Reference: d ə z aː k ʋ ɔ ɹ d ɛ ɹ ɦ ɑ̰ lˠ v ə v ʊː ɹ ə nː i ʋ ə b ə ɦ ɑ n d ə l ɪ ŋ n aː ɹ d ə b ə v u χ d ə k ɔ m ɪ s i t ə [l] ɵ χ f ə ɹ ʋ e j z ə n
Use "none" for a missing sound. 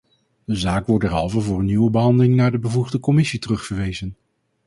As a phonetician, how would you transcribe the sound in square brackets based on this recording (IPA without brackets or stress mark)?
r